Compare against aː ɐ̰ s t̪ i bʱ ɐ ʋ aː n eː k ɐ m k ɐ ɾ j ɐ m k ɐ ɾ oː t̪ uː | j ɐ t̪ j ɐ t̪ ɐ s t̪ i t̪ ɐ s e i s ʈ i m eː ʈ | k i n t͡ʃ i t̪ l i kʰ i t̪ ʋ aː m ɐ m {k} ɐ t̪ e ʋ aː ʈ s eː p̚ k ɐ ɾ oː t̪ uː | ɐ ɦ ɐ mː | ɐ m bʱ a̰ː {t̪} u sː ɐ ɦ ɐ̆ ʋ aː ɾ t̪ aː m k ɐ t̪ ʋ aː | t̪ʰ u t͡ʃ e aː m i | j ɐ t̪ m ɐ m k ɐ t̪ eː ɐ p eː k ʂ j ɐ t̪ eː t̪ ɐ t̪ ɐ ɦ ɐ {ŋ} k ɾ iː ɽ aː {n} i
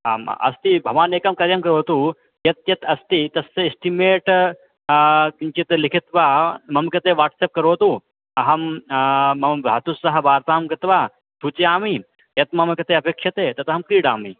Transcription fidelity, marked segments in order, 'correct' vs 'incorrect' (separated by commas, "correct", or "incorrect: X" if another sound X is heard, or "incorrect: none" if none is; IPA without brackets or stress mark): correct, correct, incorrect: m, incorrect: m